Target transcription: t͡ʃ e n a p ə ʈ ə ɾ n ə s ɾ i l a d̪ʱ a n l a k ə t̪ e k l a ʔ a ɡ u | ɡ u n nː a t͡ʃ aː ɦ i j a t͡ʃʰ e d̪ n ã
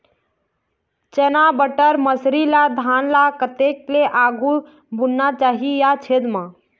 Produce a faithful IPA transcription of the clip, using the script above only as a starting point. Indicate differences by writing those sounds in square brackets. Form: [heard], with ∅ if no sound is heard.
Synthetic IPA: t͡ʃ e n a [b] ə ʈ ə ɾ [m] ə s ɾ i l a d̪ʱ a n l a k ə t̪ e k l [e] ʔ a ɡ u | [b] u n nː a t͡ʃ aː ɦ i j a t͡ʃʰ e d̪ [m] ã